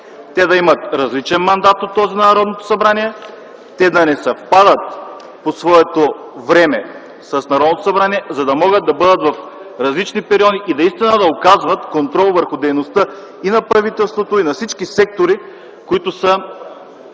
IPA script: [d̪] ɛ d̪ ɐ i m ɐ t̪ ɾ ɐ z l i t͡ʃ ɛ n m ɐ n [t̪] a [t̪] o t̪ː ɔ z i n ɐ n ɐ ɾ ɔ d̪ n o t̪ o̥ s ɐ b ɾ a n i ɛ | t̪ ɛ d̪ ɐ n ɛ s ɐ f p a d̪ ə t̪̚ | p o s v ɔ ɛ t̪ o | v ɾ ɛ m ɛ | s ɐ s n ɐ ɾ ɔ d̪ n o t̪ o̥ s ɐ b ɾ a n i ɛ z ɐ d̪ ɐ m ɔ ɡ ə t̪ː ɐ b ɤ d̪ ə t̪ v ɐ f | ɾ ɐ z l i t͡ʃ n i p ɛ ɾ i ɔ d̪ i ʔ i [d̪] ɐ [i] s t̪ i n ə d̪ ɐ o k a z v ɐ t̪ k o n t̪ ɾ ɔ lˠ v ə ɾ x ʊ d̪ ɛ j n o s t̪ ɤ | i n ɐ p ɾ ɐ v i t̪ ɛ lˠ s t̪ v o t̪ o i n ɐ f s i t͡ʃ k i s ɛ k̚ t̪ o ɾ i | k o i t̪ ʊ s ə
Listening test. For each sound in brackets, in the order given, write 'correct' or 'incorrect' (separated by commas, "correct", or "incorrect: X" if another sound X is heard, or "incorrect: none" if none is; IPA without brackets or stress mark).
incorrect: t̪, incorrect: d̪, correct, correct, correct